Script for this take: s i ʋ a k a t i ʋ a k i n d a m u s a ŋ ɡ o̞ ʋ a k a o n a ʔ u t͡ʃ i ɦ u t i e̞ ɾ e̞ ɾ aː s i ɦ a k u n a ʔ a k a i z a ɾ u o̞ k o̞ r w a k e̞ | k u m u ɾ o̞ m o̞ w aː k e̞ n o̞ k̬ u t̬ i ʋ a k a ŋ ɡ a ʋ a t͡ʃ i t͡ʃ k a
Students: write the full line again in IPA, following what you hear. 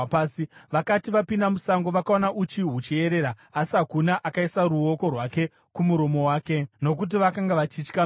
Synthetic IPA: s i ʋ a k a t i ʋ a p i n d a m u s a ŋ ɡ o̞ ʋ a k a o n a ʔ u t͡ʃ i ɦ u t͡ʃ i e̞ ɾ e̞ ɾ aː s i ɦ a k u n a ʔ a k a i s a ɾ u o̞ k o̞ r w a k e̞ | k u m u ɾ o̞ m o̞ w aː k e̞ n o̞ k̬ u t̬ i ʋ a k a ŋ ɡ a ʋ a t͡ʃ i t͡ʃ k a